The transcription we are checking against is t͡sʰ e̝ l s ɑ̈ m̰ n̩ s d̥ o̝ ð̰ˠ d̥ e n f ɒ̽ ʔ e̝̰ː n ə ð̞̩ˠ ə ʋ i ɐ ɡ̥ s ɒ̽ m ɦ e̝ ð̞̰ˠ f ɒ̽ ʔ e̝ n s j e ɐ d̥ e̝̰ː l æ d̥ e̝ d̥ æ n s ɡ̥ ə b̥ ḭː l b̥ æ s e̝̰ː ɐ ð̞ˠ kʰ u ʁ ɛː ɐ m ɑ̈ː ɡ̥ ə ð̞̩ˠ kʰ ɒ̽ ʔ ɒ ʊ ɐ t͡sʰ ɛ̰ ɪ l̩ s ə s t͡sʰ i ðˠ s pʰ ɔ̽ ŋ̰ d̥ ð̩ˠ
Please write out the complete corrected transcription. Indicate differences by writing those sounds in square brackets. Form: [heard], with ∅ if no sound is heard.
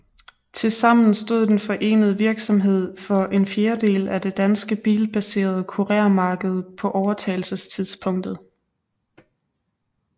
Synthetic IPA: t͡sʰ e̝ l s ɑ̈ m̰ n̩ s d̥ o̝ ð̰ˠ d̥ e n f ɒ̽ ʔ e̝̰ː n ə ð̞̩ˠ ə ʋ i ɐ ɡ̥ s ɒ̽ m ɦ e̝ ð̞̰ˠ f ɒ̽ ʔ e̝ n [f] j e ɐ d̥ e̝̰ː l æ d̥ e̝ d̥ æ n s ɡ̥ ə b̥ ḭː l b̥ æ s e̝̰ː ɐ ð̞ˠ kʰ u ʁ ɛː ɐ m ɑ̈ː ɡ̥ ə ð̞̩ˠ [pʰ] ɒ̽ ʔ ɒ ʊ ɐ t͡sʰ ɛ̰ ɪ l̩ s ə s t͡sʰ i ðˠ s pʰ ɔ̽ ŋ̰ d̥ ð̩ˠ